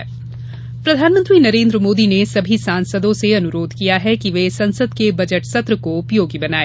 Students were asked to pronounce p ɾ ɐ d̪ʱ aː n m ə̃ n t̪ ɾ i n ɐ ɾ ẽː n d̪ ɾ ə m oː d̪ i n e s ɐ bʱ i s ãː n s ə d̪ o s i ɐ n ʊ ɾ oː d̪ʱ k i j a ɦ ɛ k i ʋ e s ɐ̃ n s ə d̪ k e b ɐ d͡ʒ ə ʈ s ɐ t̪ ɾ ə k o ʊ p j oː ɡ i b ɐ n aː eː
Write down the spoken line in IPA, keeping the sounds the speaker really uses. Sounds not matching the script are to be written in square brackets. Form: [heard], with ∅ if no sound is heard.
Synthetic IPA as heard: p ɾ ɐ d̪ʱ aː n m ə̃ n t̪ ɾ i n ɐ ɾ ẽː n d̪ ɾ ə m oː d̪ i n e s ɐ bʱ i s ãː n s ə d̪ [õ] s [e] ɐ n ʊ ɾ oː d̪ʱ k i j a ɦ ɛ k i ʋ e s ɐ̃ n s ə d̪ k e b ɐ d͡ʒ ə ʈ s ɐ t̪ ɾ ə k o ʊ p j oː ɡ i b ɐ n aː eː

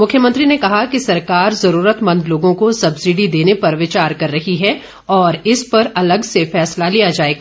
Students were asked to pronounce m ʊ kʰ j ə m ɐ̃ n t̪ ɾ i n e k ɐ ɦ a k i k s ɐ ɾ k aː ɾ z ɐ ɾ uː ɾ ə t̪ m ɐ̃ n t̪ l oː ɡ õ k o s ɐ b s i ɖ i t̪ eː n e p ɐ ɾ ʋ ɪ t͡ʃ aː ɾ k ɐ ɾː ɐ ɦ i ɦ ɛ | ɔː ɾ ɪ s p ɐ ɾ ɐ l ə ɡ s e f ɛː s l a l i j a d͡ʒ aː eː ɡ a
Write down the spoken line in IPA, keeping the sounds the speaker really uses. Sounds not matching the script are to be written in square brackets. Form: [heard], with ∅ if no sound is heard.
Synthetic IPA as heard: m ʊ kʰ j ə m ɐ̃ n t̪ ɾ i n e k ɐ ɦ a k i [∅] s ɐ ɾ k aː ɾ z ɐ ɾ uː ɾ ə t̪ m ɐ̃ n [d̪] l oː ɡ õ k o s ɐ b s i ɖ i [d̪] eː n e p ɐ ɾ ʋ ɪ t͡ʃ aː ɾ k ɐ ɾː ɐ ɦ i ɦ ɛ | ɔː ɾ ɪ s p ɐ ɾ ɐ l ə ɡ s e f ɛː s l a l i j a d͡ʒ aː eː ɡ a

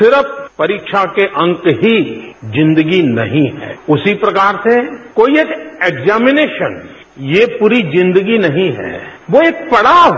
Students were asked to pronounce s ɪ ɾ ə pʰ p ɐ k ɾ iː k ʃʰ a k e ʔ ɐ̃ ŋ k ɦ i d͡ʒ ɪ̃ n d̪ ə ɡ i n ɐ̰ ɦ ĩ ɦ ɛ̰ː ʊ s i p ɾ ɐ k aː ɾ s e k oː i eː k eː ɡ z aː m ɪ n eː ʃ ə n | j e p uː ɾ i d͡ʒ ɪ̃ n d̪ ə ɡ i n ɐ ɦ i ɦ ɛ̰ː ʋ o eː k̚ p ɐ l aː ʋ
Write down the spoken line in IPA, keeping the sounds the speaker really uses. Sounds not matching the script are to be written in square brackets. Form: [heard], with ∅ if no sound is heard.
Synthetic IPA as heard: s ɪ ɾ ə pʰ p ɐ [∅] ɾ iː k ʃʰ a k e ʔ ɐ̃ ŋ k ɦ i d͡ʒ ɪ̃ n d̪ ə ɡ i n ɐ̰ ɦ ĩ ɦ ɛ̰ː ʊ s i p ɾ ɐ k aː ɾ s e k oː i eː k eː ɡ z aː m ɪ n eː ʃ ə n | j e p uː ɾ i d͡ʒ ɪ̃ n d̪ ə ɡ i n ɐ ɦ [ĩ] ɦ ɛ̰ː ʋ o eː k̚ p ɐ [ɽ] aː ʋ

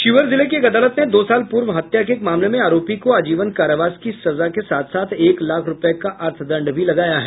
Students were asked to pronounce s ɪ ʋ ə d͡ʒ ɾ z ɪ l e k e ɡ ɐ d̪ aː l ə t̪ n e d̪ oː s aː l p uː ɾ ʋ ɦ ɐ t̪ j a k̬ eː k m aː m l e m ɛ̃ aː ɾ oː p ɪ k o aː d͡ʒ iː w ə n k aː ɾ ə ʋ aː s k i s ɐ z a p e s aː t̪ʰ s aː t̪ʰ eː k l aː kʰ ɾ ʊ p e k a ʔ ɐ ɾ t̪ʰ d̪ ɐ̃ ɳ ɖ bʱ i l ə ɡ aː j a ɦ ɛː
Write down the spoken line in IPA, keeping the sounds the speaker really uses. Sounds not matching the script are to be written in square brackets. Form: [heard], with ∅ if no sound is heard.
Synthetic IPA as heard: [ʃ] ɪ ʋ ə [∅] ɾ z ɪ l e k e ɡ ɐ d̪ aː l ə t̪ n e d̪ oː s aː l p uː ɾ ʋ ɦ ɐ t̪ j a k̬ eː k m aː m l e m [ẽ] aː ɾ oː p [i] k o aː d͡ʒ iː [ʋ] ə n k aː ɾ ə ʋ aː s k i s ɐ z a [k] e s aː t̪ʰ s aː t̪ʰ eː k l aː kʰ ɾ ʊ p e k a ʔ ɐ ɾ t̪ʰ d̪ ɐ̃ ɳ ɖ bʱ i l [ɐ] ɡ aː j a ɦ ɛː

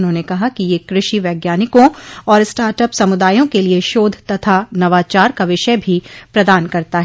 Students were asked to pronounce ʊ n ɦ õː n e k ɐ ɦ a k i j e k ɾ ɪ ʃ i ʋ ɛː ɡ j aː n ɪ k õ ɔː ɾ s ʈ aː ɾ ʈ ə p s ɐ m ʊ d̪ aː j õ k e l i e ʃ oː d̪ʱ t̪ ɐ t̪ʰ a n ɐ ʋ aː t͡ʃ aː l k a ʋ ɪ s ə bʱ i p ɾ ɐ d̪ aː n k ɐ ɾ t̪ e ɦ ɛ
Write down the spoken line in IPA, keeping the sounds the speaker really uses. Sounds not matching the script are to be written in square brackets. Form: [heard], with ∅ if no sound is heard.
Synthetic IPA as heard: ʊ n ɦ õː n e k ɐ ɦ a k i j e k ɾ ɪ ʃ i ʋ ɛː ɡ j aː n ɪ k õ ɔː ɾ s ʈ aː ɾ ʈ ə p s ɐ m ʊ d̪ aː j õ k e l i e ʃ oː d̪ʱ t̪ ɐ t̪ʰ a n ɐ ʋ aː t͡ʃ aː [ɾ] k a ʋ ɪ [ʃ] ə bʱ i p ɾ ɐ d̪ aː n k ɐ ɾ t̪ [a] ɦ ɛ

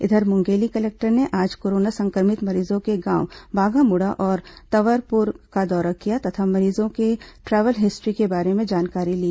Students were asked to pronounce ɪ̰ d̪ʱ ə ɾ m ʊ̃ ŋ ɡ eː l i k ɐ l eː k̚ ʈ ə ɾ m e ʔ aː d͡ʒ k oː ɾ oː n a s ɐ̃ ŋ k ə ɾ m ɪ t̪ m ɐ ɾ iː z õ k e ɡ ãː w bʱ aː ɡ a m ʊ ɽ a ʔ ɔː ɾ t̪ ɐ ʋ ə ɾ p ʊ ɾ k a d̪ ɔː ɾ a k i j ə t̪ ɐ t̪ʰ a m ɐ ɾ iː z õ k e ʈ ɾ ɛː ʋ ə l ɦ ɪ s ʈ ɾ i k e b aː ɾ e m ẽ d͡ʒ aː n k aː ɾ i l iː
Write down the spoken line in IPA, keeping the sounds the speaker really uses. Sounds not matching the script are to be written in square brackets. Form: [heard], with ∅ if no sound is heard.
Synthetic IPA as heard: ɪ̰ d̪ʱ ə ɾ m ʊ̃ ŋ ɡ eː l i k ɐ l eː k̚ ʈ ə ɾ [n] e ʔ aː d͡ʒ k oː ɾ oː n a s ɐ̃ ŋ k ə ɾ m ɪ t̪ m ɐ ɾ iː z õ k e ɡ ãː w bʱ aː ɡ a m ʊ ɽ a ʔ ɔː ɾ t̪ ɐ ʋ ə ɾ p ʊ ɾ k a d̪ ɔː ɾ a k i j [a] t̪ ɐ t̪ʰ a m ɐ ɾ iː z õ k e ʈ ɾ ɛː ʋ ə l ɦ ɪ s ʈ ɾ i k e b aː ɾ e m ẽ d͡ʒ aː n k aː ɾ i l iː

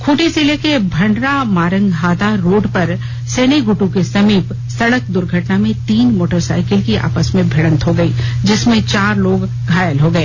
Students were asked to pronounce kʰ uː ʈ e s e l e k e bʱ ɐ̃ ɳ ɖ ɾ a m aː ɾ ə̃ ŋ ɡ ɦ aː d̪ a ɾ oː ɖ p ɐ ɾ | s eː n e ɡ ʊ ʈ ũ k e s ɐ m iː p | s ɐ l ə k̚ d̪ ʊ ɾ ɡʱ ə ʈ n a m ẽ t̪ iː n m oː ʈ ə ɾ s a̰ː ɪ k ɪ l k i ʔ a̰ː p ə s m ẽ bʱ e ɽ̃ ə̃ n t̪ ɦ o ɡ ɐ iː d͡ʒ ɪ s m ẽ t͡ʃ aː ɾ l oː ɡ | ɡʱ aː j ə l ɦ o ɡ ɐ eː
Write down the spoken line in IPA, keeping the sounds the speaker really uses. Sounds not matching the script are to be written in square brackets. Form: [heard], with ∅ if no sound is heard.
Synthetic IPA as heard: kʰ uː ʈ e s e l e k e bʱ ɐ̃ ɳ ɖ ɾ a m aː ɾ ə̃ ŋ ɡ ɦ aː d̪ a ɾ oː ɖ p ɐ ɾ | s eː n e ɡ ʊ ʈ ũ k e s ɐ m iː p | s ɐ [ɽ] ə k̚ d̪ ʊ ɾ ɡʱ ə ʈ n a m ẽ t̪ iː n m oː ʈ ə ɾ s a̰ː ɪ k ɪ l k i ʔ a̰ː p ə s m ẽ bʱ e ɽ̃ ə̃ n t̪ ɦ o ɡ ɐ iː d͡ʒ ɪ s m ẽ t͡ʃ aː ɾ l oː ɡ | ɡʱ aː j ə l ɦ o ɡ ɐ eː

